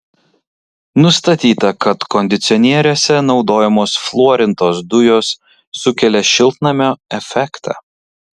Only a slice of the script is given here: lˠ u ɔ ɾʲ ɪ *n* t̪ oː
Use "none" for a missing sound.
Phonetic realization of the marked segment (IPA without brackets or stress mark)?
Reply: n